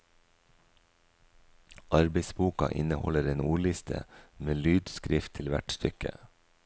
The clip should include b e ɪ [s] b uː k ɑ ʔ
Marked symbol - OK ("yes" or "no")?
yes